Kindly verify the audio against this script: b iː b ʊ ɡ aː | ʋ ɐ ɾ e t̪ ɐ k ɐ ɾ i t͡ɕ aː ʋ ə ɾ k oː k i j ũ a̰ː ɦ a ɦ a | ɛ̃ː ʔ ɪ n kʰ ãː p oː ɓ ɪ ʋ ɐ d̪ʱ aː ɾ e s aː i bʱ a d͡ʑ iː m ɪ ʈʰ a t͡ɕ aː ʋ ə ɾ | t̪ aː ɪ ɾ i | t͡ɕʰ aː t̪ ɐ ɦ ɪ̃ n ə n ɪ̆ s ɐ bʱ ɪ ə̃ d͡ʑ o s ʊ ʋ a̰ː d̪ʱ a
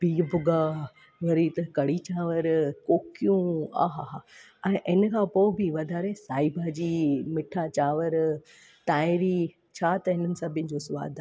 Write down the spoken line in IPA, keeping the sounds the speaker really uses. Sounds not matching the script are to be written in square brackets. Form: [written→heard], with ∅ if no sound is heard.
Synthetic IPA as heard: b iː b ʊ ɡ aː | ʋ ɐ ɾ [e→i] t̪ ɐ k ɐ [ɾ→ɽ] i t͡ɕ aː ʋ ə ɾ k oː k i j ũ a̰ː ɦ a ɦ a | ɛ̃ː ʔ ɪ n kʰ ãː p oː [ɓ→b] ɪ ʋ ɐ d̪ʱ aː ɾ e s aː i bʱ a d͡ʑ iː m ɪ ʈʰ a t͡ɕ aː ʋ ə ɾ | t̪ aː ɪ ɾ i | t͡ɕʰ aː t̪ ɐ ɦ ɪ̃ n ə n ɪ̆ s ɐ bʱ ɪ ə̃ d͡ʑ o s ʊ ʋ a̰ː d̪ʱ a

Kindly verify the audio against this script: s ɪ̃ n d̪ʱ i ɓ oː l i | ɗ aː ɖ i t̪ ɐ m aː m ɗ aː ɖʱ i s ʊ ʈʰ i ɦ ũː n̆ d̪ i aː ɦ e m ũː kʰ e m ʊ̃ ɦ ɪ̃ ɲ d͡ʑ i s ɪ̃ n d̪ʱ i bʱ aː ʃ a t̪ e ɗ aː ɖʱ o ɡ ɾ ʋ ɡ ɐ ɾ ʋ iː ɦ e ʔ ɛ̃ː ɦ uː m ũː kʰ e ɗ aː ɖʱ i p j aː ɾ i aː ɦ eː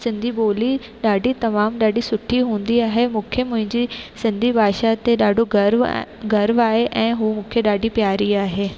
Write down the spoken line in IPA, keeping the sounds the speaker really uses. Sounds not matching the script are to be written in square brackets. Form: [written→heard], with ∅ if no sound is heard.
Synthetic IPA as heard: s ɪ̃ n d̪ʱ i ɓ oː l i | ɗ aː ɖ i t̪ ɐ m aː m ɗ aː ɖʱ i s ʊ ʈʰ i ɦ ũː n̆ d̪ i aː ɦ e m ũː kʰ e m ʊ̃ ɦ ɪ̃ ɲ d͡ʑ i s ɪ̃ n d̪ʱ i bʱ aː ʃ a t̪ e ɗ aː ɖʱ o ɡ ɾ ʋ ɡ ɐ ɾ ʋ [iː→aː] ɦ e ʔ ɛ̃ː ɦ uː m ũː kʰ e ɗ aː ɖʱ i p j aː ɾ i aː ɦ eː

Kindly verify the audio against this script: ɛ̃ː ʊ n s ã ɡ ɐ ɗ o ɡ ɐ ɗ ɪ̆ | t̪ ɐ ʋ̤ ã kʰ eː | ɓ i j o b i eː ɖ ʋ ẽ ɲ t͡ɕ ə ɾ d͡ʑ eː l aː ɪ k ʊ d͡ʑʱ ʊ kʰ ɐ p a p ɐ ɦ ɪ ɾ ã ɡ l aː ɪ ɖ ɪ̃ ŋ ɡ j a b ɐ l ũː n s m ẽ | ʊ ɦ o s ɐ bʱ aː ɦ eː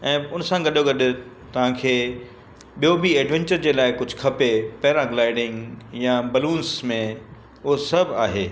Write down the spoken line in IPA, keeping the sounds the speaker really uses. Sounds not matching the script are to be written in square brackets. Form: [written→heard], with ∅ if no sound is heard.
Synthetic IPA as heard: ɛ̃ː ʊ n s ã ɡ ɐ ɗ o ɡ ɐ ɗ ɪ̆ | t̪ ɐ ʋ̤ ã kʰ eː | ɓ i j o b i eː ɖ ʋ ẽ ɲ t͡ɕ ə ɾ d͡ʑ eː l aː ɪ k ʊ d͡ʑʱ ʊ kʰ ɐ p [a→e] p ɐ ɦ ɪ ɾ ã ɡ l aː ɪ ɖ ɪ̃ ŋ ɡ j a b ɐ l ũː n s m ẽ | ʊ ɦ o s ɐ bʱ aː ɦ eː

